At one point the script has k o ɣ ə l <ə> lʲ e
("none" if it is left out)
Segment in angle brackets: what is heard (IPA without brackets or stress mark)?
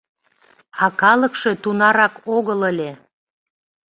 ə